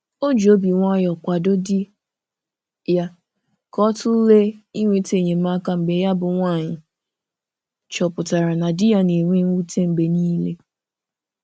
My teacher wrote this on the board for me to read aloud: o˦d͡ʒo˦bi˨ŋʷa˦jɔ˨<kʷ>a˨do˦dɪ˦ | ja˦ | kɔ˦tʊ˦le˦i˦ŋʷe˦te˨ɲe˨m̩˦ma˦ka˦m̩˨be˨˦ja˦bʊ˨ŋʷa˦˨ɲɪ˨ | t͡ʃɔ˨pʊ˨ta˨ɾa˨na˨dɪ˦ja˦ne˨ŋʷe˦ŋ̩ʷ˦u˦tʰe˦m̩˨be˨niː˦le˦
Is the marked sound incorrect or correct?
correct